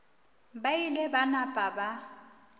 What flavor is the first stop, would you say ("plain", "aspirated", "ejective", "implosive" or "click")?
plain